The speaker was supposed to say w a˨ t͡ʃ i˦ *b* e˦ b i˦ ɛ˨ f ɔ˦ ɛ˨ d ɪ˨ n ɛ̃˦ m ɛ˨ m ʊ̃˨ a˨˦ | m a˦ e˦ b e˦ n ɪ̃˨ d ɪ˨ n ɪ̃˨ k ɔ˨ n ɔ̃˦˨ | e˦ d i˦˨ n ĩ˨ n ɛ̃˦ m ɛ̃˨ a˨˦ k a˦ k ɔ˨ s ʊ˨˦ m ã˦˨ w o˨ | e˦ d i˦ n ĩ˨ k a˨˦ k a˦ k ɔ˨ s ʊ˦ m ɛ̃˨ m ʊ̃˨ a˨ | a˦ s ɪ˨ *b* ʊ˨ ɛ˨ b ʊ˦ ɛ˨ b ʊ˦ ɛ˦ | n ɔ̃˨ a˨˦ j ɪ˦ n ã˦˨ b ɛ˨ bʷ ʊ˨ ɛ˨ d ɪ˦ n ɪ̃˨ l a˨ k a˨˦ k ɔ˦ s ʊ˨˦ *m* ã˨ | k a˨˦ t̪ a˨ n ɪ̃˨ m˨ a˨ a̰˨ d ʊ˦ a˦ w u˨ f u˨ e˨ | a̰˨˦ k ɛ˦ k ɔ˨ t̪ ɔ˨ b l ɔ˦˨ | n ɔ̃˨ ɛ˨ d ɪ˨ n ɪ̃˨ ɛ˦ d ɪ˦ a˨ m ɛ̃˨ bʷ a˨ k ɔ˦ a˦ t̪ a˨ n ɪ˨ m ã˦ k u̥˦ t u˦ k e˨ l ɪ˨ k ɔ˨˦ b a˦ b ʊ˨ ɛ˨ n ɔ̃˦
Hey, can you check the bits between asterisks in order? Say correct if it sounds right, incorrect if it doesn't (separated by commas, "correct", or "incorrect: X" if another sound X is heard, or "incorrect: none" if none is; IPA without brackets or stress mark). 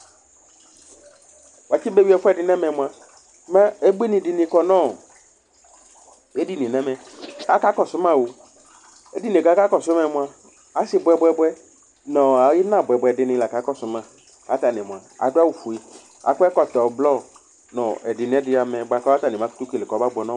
correct, correct, correct